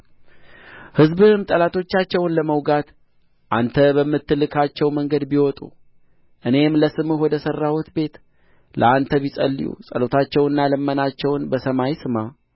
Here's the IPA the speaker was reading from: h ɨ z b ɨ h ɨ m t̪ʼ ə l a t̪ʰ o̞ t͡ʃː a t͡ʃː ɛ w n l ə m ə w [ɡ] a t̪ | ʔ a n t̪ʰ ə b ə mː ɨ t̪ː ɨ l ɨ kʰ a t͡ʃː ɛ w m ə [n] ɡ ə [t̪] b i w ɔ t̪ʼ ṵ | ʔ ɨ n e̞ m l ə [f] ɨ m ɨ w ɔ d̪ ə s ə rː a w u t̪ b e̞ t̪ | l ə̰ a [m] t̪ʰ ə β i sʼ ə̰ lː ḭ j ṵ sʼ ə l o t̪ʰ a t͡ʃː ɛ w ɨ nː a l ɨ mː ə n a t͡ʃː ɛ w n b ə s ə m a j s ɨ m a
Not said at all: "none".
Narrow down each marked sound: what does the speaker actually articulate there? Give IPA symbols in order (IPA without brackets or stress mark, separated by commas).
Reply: ɡ, ŋ, d̪, s, n